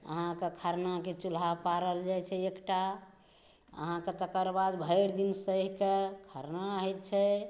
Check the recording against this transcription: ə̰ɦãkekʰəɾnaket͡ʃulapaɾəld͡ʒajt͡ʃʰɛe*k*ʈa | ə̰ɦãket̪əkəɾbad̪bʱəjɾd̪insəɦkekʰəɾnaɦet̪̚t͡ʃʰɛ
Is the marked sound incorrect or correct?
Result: correct